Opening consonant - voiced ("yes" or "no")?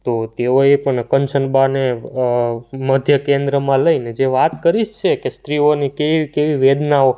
no